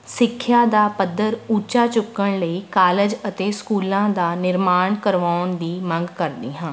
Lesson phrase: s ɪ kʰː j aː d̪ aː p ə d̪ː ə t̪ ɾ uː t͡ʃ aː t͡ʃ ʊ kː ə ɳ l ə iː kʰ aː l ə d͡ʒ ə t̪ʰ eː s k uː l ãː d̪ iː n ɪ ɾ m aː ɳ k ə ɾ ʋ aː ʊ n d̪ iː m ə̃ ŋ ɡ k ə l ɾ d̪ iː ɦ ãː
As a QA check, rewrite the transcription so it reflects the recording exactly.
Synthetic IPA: s ɪ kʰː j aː d̪ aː p ə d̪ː ə ɾ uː t͡ʃ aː t͡ʃ ʊ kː ə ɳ l ə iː k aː l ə d͡ʒ ə t̪ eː s k uː l ãː d̪ aː n ɪ ɾ m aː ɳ k ə ɾ ʋ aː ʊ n d̪ iː m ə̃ ŋ ɡ k ə ɾ d̪ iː ɦ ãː